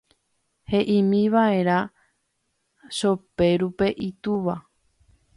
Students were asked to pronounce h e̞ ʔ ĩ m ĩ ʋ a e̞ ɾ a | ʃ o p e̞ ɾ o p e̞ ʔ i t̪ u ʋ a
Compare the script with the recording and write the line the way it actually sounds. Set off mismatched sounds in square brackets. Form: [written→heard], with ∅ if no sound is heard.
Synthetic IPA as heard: h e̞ ʔ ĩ m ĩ ʋ a e̞ ɾ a | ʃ o p e̞ ɾ [o→u] p e̞ ʔ i t̪ u ʋ a